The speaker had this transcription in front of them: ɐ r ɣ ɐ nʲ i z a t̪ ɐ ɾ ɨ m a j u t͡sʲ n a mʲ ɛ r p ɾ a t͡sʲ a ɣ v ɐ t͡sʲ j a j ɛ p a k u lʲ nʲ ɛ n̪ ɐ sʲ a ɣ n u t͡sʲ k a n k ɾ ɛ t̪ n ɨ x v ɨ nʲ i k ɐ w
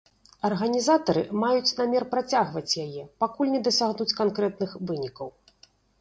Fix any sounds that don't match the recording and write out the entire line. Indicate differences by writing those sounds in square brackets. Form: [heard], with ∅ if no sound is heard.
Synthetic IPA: ɐ r ɣ ɐ nʲ i z a t̪ ɐ ɾ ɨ m a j u t͡sʲ n a mʲ ɛ r p ɾ a t͡sʲ a ɣ v ɐ t͡sʲ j a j ɛ p a k u lʲ nʲ ɛ [d̪] ɐ sʲ a ɣ n u t͡sʲ k a n k ɾ ɛ t̪ n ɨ x v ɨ nʲ i k ɐ w